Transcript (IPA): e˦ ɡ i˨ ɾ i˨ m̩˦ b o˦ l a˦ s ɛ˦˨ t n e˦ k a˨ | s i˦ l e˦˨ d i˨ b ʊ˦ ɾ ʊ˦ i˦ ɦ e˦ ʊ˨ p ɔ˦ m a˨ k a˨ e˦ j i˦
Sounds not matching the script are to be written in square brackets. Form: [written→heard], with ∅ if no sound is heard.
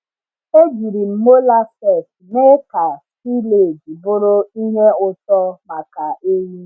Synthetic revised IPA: e˦ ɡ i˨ ɾ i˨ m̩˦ [b→m] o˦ l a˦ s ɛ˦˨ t n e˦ k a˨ | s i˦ l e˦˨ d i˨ b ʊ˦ ɾ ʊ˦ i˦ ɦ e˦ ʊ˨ [p→t] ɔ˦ m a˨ k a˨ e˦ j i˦